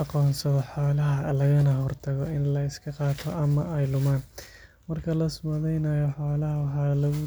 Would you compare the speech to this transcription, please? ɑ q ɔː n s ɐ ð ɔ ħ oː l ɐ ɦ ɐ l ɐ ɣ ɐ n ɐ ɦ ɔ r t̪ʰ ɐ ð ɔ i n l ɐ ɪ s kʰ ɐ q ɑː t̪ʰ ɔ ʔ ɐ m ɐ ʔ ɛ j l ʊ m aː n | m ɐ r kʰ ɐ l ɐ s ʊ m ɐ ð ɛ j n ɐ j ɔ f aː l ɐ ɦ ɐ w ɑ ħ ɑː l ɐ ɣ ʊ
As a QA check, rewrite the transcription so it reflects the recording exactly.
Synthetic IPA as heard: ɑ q ɔː n s ɐ ð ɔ ħ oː l ɐ ɦ ɐ l ɐ ɣ ɐ n ɐ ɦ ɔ r t̪ʰ ɐ ɣ ɔ ɪ n l ɐ ɪ s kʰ ɐ q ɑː t̪ʰ ɔ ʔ ɐ m ɐ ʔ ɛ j l ʊ m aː n | m ɐ r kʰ ɐ l ɐ s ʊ m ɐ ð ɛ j n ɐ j ɔ ħ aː l ɐ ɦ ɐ w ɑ ħ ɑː l ɐ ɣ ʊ